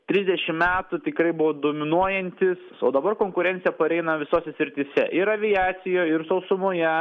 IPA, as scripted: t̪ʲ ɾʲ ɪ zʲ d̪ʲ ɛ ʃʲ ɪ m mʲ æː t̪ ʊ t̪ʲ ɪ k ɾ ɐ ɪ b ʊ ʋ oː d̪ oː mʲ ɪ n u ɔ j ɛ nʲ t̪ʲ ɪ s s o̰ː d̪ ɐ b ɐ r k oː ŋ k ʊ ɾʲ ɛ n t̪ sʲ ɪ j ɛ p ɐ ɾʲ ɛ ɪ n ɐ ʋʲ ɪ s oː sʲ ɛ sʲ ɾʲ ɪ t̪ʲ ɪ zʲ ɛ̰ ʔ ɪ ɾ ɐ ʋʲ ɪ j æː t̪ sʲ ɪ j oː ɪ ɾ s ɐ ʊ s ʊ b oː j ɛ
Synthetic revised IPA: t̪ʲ ɾʲ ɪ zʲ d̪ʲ ɛ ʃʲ ɪ m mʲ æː t̪ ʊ t̪ʲ ɪ k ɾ ɐ ɪ b ʊ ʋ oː d̪ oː mʲ ɪ n u ɔ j ɛ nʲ t̪ʲ ɪ s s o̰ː d̪ ɐ b ɐ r k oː ŋ k ʊ ɾʲ ɛ n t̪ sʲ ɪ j ɛ p ɐ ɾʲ ɛ ɪ n ɐ ʋʲ ɪ s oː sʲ ɛ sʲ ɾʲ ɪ t̪ʲ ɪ sʲ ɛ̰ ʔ ɪ ɾ ɐ ʋʲ ɪ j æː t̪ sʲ ɪ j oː ɪ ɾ s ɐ ʊ s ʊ m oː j ɛ